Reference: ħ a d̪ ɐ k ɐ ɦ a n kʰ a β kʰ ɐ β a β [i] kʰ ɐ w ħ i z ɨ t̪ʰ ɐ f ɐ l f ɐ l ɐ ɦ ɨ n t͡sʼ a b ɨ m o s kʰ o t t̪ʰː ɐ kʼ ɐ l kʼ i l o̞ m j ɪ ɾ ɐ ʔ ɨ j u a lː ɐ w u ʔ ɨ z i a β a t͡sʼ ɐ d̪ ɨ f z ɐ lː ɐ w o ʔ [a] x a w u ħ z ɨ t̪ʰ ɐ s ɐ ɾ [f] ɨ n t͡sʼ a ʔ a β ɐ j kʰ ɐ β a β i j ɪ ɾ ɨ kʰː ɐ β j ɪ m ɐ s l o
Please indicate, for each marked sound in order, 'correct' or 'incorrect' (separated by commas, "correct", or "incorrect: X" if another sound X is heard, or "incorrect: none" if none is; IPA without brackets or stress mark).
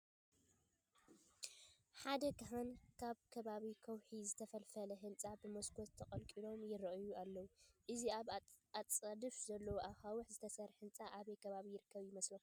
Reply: correct, correct, incorrect: ħ